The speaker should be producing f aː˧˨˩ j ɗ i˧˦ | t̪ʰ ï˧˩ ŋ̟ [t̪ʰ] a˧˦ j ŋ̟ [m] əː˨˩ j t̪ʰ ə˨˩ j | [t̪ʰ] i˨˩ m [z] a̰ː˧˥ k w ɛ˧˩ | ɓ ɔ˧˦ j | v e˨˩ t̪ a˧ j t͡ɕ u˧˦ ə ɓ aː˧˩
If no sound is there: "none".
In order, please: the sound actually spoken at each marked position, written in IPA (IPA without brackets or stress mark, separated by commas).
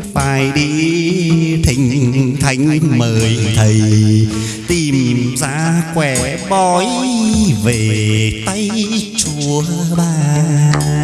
t̪ʰ, m, t̪, z